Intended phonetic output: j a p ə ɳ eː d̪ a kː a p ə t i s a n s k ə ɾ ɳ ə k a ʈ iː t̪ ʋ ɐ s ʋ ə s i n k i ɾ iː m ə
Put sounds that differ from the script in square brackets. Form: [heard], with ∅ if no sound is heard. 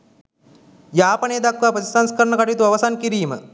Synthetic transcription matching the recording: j a p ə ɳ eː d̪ a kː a p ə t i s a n s k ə ɾ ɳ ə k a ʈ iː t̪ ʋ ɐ [∅] ʋ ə s [a] n k i ɾ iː m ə